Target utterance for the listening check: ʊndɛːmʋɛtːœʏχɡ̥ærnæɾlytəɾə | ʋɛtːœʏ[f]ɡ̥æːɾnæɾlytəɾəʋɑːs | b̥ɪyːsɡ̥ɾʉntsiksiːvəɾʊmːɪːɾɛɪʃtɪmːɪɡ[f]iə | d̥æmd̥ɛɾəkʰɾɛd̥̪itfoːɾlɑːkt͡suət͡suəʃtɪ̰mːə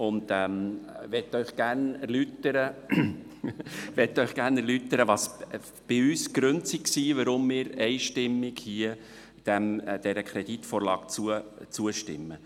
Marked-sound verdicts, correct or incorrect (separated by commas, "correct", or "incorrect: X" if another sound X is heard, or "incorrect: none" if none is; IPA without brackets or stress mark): incorrect: χ, incorrect: h